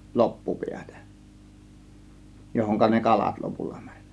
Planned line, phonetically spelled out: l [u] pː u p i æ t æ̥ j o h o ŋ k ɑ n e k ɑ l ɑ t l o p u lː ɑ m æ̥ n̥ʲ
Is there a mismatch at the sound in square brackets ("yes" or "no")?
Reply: yes